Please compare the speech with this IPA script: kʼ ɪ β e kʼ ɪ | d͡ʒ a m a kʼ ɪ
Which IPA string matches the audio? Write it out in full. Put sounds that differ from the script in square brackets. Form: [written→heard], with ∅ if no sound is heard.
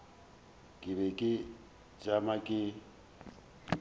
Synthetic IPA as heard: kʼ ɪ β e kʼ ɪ | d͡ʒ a m a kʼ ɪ